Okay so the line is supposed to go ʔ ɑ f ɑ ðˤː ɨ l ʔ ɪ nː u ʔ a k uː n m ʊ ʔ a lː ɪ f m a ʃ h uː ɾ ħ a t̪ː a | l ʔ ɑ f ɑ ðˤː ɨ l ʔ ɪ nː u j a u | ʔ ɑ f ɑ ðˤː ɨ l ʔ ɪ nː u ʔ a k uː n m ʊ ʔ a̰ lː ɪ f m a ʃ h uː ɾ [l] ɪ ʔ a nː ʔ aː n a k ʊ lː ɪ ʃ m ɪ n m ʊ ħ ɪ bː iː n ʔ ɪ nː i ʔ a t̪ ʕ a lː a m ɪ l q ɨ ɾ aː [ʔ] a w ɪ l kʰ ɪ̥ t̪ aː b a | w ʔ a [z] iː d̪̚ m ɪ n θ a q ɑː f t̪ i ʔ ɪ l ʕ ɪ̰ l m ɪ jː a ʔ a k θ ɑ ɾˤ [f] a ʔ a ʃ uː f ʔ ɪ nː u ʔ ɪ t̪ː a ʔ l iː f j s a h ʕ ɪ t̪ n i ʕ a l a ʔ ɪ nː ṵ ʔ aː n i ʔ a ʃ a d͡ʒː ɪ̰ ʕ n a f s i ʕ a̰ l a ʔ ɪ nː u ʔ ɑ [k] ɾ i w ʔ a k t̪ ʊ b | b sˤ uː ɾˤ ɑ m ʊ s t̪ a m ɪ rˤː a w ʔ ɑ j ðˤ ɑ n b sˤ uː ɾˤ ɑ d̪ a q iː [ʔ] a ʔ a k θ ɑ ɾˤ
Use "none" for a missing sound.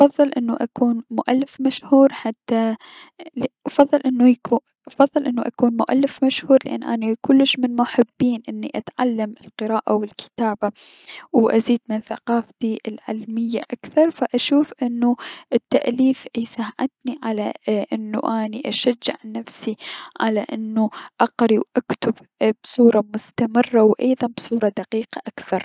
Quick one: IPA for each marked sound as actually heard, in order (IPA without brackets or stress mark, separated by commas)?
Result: l, ʔ, z, f, q, q